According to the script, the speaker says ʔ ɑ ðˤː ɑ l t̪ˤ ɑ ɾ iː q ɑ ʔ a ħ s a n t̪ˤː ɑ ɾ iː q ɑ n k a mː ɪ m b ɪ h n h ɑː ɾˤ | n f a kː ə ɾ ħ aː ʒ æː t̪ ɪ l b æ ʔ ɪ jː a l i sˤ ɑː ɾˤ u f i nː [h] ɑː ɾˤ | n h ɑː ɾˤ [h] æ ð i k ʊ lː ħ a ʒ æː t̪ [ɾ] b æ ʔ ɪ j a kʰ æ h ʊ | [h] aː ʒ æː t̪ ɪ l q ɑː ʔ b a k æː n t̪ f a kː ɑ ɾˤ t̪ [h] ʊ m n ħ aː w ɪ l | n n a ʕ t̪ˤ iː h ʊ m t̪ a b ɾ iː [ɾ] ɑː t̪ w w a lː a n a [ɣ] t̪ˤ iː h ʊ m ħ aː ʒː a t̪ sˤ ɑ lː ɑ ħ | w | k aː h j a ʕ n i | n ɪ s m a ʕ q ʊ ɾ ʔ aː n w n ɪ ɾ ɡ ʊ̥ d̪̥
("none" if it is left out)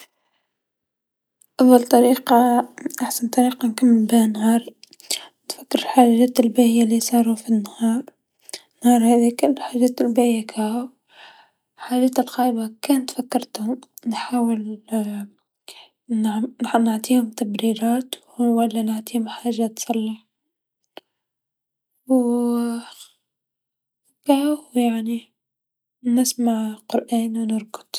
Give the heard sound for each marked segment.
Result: h, h, l, ħ, h, ɾ, ʕ

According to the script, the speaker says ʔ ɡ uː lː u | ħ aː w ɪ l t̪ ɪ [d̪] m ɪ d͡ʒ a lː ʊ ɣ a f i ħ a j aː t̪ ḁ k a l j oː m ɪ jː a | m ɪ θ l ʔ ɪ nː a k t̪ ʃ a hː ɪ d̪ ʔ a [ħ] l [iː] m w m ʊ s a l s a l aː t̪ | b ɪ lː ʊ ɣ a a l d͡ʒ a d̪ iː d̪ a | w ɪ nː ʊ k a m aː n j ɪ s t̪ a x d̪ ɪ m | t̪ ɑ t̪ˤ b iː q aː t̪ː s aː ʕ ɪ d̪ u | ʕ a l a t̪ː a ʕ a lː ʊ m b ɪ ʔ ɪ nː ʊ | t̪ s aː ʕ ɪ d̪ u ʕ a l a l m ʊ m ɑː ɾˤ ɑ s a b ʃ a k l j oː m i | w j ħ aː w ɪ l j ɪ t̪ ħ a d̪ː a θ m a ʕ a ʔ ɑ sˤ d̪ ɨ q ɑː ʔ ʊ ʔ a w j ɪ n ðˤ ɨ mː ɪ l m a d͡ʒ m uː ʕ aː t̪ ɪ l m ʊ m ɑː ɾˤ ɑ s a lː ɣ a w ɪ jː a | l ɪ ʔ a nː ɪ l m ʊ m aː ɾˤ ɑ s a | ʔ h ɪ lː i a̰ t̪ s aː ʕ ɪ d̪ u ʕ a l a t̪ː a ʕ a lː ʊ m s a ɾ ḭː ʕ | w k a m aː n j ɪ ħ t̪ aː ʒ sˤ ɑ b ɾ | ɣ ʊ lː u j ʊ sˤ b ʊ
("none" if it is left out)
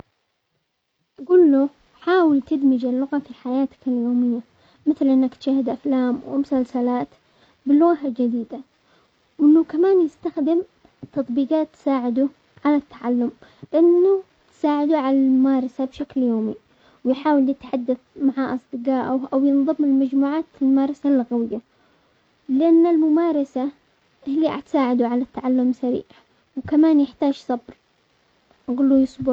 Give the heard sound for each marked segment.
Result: d̪, f, aː

